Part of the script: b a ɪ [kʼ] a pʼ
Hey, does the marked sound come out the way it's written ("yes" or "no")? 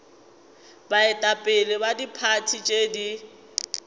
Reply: no